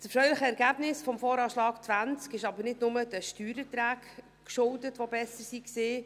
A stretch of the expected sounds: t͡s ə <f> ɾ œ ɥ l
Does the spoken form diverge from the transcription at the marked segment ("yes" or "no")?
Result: no